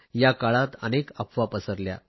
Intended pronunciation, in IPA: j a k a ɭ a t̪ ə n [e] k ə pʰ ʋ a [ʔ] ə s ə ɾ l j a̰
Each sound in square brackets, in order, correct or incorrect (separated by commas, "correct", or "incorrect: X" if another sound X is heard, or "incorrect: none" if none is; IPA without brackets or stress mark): correct, incorrect: p